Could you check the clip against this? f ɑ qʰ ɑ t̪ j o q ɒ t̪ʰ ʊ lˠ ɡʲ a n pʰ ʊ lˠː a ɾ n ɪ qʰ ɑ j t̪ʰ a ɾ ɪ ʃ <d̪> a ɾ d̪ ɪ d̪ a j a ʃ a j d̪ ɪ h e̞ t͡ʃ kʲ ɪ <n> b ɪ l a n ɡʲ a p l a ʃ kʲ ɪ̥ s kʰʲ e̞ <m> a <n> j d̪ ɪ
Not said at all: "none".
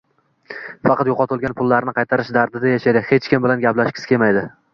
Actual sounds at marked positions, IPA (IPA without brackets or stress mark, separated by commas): d̪, m, m, none